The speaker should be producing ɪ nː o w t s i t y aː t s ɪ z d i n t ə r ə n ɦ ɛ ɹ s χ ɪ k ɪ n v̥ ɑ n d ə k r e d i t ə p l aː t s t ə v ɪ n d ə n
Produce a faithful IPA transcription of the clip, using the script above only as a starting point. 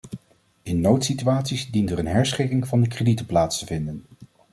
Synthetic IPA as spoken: ɪ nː o w t s i t y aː t s i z d i n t ə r ə n ɦ ɛ ɹ s χ ɪ k ɪ ŋ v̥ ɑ n d ə k r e d i t ə p l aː t s t ə v ɪ n d ə n